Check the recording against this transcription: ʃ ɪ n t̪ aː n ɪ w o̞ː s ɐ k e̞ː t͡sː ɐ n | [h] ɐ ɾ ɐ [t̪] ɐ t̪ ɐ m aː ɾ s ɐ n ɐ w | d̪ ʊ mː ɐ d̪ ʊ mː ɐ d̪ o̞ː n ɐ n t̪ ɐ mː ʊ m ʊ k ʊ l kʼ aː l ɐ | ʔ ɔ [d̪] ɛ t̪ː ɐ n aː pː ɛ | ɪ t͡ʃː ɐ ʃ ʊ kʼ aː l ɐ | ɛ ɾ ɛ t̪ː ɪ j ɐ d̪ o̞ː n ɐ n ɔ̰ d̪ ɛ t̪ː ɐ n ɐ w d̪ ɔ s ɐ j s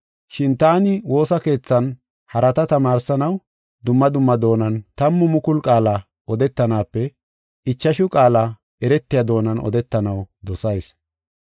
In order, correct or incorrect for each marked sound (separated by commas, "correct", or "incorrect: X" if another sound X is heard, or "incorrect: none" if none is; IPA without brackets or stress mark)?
correct, correct, correct